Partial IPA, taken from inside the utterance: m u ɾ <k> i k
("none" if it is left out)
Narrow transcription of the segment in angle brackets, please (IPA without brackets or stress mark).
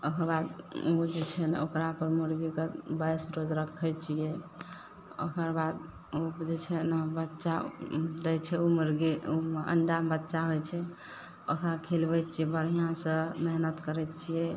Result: ɡ